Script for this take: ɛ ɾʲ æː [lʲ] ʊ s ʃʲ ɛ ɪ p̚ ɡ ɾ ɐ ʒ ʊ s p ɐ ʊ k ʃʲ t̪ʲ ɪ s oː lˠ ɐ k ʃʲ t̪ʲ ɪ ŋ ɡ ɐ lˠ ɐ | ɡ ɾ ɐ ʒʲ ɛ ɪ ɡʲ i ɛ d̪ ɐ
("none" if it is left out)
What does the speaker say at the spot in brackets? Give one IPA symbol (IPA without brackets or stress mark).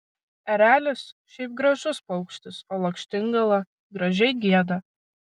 lʲ